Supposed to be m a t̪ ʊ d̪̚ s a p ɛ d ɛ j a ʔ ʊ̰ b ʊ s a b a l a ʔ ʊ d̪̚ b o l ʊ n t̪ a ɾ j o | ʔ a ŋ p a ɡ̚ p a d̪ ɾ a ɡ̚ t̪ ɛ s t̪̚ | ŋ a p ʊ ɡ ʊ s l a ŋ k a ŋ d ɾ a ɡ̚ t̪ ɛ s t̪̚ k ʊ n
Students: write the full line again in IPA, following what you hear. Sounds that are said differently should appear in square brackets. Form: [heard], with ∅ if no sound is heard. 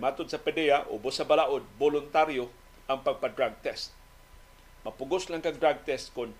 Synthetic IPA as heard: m a t̪ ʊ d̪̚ s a p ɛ d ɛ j a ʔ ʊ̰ b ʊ s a b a l a ʔ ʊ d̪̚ b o l ʊ n t̪ a ɾ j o | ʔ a ŋ p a ɡ̚ p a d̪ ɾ a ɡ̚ t̪ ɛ s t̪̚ | [m] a p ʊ ɡ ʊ s l a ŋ k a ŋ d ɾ a ɡ̚ t̪ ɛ s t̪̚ k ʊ n